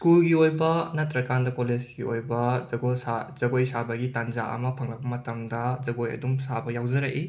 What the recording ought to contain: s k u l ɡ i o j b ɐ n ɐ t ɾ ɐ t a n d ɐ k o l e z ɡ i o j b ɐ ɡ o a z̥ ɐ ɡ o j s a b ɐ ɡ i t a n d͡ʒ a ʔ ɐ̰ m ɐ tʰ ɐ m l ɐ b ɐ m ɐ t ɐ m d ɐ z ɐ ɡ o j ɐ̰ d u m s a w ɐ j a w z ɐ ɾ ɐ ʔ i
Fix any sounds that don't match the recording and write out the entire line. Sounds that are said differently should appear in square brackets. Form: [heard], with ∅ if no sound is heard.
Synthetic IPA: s k u l ɡ i o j b ɐ n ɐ t ɾ ɐ [k] a n d ɐ k o l e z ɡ i o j b ɐ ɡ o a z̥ ɐ ɡ o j s a b ɐ ɡ i t a n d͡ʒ a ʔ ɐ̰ m ɐ [pʰ] ɐ [ŋ] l ɐ b ɐ m ɐ t ɐ m d ɐ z ɐ ɡ o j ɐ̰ d u m s a [b] ɐ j a w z ɐ ɾ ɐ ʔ i